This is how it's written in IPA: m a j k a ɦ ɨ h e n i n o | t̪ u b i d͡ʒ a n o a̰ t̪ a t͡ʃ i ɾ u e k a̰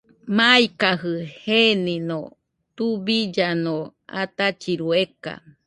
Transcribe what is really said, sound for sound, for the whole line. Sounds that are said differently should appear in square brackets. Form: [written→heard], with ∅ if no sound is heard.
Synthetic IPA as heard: m a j k a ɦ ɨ h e n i n o | t̪ u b i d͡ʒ a n o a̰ t̪ a t͡ʃ i ɾ u e k a̰